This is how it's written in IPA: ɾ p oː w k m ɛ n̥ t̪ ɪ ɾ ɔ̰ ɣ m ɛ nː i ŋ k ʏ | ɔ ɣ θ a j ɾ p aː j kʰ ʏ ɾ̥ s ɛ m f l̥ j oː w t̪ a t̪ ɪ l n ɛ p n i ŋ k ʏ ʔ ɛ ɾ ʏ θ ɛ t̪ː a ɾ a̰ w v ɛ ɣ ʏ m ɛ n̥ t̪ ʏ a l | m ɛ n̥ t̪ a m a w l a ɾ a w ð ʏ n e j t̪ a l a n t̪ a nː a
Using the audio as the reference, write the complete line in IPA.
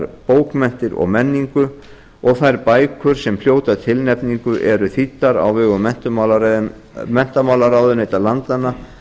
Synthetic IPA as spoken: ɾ p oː w k m ɛ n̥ t̪ ɪ ɾ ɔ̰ ɣ m ɛ nː i ŋ k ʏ | ɔ ɣ θ a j ɾ p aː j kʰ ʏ ɾ̥ s ɛ m f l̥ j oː w t̪ a t̪ʰ ɪ l n ɛ p n i ŋ k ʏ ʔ ɛ ɾ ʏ θ i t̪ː a ɾ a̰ w v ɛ ɣ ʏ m ɛ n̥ t̪ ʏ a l | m ɛ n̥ t̪ a m a w l a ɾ a w ð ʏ n e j t̪ a l a n t̪ a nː a